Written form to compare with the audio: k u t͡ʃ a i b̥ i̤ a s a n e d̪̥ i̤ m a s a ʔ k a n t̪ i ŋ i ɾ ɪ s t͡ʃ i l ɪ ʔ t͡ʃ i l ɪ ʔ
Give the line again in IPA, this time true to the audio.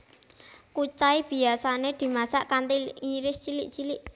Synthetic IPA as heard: k u t͡ʃ a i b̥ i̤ a s a n e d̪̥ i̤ m a s a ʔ k a n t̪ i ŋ i ɾ ɪ s t͡ʃ i l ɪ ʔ t͡ʃ i l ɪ ʔ

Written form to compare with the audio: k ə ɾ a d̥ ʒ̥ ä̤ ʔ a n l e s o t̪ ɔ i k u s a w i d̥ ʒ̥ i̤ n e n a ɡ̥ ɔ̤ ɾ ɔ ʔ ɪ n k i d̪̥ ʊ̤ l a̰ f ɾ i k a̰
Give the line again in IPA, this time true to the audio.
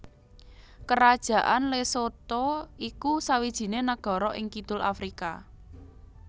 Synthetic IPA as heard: k ə ɾ a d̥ ʒ̥ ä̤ ʔ a n l e s o t̪ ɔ i k u s a w i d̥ ʒ̥ i̤ n e n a ɡ̥ ɔ̤ ɾ ɔ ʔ ɪ ŋ k i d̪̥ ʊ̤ l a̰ f ɾ i k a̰

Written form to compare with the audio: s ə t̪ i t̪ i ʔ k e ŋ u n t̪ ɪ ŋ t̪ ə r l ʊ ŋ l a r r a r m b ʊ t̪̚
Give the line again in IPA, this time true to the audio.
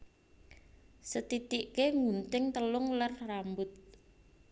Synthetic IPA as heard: s ə t̪ i t̪ i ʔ k e ŋ u n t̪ ɪ ŋ t̪ ə l ʊ ŋ l a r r a m b ʊ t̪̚

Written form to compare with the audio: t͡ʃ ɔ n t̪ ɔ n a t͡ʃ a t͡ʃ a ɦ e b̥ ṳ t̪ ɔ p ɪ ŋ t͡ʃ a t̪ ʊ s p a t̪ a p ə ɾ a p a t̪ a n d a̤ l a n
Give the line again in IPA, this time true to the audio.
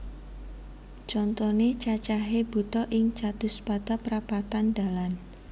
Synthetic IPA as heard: t͡ʃ ɔ n t̪ ɔ n e t͡ʃ a t͡ʃ a ɦ e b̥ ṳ t̪ ɔ ʔ ɪ ŋ t͡ʃ a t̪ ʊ s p a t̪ a p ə ɾ a p a t̪ a n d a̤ l a n

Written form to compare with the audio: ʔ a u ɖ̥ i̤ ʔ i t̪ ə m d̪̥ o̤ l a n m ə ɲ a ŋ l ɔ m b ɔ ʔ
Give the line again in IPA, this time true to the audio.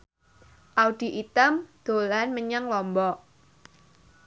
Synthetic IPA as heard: ʔ a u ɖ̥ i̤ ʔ i t̪ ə m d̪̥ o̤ l a n m ə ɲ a ŋ l ɔ m b ɔ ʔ

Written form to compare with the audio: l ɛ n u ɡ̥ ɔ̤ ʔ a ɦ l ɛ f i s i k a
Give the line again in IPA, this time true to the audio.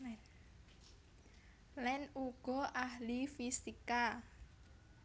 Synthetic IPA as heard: l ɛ n u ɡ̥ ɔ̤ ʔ a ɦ l i f i s i k a

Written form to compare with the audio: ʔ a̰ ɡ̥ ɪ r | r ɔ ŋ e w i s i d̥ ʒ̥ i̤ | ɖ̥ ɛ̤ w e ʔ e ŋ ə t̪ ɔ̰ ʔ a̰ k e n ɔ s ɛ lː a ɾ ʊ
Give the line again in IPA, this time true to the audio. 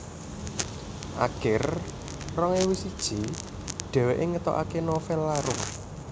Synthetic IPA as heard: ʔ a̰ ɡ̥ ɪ r | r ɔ ŋ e w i s i d̥ ʒ̥ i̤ | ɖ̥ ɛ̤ w e ʔ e ŋ ə t̪ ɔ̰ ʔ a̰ k e n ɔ f ɛ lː a ɾ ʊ

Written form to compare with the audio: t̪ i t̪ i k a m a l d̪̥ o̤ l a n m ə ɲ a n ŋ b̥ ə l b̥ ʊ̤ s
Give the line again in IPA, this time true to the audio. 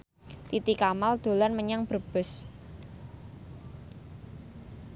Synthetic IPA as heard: t̪ i t̪ i k a m a l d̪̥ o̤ l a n m ə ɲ a ŋ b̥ ə r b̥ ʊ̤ s

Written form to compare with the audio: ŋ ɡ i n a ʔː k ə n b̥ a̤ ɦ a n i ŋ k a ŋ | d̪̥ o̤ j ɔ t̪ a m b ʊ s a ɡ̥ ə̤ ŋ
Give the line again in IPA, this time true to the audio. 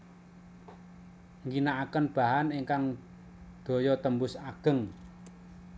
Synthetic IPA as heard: ŋ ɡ i n a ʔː k ə n b̥ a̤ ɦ a n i ŋ k a ŋ | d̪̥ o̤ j ɔ t̪ ə m b ʊ s a ɡ̥ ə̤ ŋ

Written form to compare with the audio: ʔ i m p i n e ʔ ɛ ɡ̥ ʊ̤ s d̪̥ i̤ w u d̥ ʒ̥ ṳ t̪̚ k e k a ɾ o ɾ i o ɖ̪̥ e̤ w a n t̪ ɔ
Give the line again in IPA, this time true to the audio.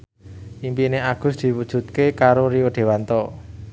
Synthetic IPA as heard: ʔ i m p i n e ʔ a ɡ̥ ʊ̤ s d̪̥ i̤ w u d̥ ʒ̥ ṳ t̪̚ k e k a ɾ o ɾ i o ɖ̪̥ e̤ w a n t̪ ɔ

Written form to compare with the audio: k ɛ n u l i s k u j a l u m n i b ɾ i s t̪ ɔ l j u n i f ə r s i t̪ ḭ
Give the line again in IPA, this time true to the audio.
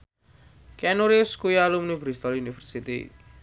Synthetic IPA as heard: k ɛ n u ɾ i s k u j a l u m n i b ɾ i s t̪ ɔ l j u n i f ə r s i t̪ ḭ

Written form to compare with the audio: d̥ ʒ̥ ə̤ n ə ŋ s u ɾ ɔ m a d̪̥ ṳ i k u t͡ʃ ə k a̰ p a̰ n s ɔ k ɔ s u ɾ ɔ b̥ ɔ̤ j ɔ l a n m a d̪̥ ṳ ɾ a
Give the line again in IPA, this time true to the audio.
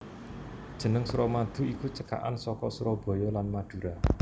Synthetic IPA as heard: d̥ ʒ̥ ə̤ n ə ŋ s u ɾ ɔ m a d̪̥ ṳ i k u t͡ʃ ə k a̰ ʔ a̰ n s ɔ k ɔ s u ɾ ɔ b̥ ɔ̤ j ɔ l a n m a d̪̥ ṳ ɾ a

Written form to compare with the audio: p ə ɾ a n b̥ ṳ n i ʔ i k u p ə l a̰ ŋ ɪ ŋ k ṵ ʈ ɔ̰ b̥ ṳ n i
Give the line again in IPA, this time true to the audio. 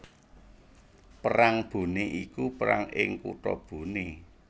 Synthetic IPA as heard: p ə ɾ a ŋ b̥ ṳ n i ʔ i k u p ə ɾ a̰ ŋ ɪ ŋ k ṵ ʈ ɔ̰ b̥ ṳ n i

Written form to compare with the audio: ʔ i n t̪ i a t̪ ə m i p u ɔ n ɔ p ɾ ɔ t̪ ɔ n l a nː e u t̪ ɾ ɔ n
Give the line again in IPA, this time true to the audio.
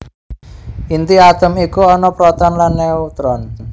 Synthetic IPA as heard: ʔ i n t̪ i a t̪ ə m i k u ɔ n ɔ p ɾ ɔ t̪ ɔ n l a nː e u t̪ ɾ ɔ n

